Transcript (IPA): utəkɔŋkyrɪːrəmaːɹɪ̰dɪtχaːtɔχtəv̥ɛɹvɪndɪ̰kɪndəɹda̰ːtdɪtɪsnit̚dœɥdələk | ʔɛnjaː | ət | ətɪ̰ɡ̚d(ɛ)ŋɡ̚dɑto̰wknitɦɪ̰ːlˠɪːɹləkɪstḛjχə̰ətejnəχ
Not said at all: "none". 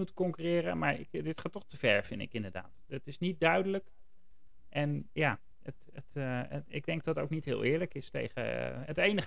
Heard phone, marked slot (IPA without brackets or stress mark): ɛ